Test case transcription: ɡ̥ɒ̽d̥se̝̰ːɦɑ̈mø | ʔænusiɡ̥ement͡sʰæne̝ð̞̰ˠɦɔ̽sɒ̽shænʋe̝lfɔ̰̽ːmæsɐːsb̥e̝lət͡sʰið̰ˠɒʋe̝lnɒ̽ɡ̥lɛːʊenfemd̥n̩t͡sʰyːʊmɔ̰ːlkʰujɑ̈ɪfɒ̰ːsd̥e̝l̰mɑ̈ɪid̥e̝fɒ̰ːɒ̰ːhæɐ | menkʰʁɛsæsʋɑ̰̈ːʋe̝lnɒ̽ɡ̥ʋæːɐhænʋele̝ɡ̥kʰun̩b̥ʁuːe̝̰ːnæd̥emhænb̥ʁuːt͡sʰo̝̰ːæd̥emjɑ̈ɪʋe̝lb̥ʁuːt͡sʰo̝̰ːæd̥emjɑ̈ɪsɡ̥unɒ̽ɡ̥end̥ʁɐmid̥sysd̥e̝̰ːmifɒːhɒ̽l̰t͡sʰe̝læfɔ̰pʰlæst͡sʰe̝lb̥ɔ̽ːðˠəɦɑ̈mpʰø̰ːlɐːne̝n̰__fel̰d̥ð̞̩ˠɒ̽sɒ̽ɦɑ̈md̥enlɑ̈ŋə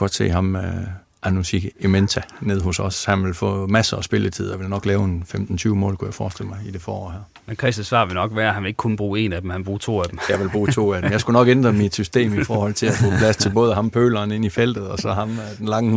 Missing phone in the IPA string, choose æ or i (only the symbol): i